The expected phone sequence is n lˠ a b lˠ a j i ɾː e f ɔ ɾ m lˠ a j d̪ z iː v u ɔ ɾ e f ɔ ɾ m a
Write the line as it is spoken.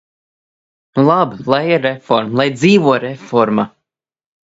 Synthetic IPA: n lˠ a b lˠ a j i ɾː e f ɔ ɾ m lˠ a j d̪ z iː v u ɔ ɾ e f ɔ ɾ m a